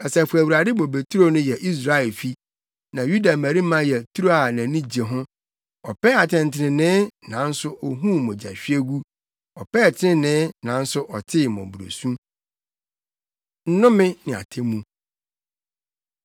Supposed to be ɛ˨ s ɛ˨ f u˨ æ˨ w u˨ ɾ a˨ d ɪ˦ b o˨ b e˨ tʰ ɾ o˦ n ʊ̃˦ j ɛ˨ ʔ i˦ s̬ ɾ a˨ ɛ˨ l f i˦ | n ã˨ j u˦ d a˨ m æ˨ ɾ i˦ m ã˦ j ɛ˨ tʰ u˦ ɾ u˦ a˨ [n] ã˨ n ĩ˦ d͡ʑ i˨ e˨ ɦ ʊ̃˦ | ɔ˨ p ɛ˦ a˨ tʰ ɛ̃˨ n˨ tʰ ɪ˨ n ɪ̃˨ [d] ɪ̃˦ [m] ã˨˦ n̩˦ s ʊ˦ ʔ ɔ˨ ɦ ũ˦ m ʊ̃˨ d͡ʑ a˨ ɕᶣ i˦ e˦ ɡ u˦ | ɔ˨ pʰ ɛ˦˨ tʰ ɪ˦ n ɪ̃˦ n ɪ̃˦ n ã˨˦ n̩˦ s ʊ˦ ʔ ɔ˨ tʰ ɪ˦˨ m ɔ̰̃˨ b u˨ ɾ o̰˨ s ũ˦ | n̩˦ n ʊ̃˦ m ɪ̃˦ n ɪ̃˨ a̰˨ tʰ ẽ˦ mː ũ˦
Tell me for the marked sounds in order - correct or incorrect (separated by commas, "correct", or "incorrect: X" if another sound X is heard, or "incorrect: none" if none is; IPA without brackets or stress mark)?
correct, incorrect: n, incorrect: n